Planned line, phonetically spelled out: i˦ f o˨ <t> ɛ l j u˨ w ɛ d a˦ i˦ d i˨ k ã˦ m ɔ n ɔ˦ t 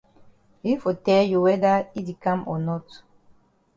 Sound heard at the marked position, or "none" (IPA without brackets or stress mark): t